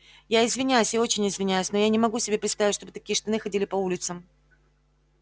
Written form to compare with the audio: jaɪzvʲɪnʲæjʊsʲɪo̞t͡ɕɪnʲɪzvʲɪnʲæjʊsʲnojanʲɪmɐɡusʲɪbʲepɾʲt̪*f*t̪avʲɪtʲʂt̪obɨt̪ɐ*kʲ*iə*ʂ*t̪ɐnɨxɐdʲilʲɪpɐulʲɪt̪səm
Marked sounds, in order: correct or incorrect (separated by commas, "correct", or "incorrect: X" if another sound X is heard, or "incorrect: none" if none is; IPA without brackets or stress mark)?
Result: incorrect: s, correct, correct